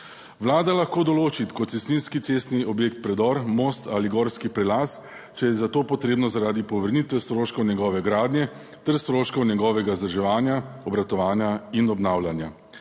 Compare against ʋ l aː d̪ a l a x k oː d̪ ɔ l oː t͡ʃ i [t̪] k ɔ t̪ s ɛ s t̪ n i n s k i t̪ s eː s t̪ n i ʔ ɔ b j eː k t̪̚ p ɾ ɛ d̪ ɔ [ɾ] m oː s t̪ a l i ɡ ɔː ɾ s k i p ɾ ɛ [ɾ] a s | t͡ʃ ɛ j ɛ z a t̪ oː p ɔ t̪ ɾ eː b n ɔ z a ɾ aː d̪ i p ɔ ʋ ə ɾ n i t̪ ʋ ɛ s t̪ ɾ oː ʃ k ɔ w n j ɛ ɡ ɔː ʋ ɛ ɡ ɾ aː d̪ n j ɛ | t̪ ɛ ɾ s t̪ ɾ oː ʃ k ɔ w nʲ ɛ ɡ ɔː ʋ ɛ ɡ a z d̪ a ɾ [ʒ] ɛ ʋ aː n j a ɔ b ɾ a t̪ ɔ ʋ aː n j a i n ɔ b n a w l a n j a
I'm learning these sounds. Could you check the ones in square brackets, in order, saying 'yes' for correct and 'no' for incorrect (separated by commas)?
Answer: yes, yes, no, yes